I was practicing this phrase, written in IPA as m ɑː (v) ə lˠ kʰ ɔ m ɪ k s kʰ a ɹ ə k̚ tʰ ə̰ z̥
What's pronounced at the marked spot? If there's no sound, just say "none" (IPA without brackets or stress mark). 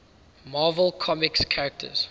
v